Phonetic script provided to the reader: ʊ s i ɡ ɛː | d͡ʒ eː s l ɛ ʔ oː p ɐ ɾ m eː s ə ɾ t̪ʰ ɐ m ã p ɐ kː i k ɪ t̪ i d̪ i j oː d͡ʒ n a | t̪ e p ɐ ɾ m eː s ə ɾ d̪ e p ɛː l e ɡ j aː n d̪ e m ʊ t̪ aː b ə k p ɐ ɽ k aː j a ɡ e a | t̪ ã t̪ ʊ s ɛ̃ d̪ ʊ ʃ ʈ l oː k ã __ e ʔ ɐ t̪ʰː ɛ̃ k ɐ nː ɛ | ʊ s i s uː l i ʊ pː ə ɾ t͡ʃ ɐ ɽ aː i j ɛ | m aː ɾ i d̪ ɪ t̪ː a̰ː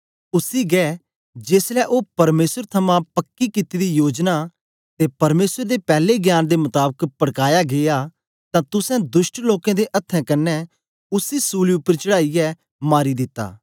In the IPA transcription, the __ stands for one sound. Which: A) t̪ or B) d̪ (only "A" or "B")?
B